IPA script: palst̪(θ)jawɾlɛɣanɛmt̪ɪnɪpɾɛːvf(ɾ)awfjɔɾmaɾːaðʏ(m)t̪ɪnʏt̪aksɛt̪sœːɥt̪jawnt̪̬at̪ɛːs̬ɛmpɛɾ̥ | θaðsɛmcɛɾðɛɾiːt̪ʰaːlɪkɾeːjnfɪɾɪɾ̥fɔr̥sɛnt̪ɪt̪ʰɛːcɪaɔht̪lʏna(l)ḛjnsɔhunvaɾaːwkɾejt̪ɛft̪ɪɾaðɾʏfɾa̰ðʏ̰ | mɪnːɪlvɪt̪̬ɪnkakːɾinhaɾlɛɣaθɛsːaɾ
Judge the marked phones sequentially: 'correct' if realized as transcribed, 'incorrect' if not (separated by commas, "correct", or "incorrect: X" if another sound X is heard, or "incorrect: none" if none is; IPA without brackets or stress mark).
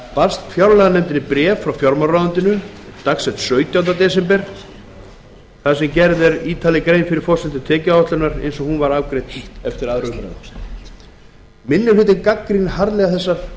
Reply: incorrect: f, correct, incorrect: n, incorrect: ɾ